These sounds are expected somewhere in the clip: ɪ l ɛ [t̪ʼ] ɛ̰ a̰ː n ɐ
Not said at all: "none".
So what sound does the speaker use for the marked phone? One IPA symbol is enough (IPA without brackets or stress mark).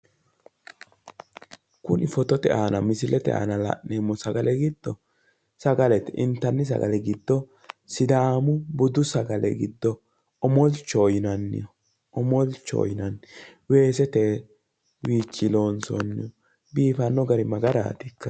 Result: t̪